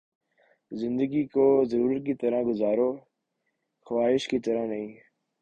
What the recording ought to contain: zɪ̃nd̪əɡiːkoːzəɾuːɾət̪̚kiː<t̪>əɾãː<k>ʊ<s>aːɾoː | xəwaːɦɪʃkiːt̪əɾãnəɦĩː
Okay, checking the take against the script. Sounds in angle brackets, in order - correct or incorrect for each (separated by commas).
correct, incorrect, incorrect